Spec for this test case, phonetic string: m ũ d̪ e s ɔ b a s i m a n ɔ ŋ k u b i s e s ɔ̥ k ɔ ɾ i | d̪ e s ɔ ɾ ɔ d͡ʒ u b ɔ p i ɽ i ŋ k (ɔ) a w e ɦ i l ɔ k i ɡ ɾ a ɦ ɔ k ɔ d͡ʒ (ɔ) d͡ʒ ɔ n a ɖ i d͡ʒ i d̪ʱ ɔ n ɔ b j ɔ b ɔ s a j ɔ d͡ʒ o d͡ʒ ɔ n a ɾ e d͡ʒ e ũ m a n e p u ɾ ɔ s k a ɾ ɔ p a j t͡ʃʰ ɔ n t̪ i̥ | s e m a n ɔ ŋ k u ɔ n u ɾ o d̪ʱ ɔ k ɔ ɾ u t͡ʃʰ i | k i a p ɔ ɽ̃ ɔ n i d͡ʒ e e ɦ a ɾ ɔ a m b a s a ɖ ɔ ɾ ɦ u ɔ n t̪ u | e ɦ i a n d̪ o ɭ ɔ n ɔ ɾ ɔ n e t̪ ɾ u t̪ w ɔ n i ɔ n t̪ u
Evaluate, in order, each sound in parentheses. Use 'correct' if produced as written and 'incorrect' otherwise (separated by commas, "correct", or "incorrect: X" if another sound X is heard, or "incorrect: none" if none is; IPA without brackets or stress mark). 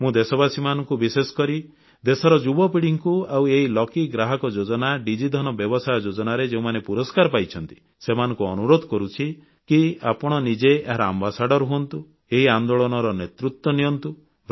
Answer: incorrect: u, incorrect: o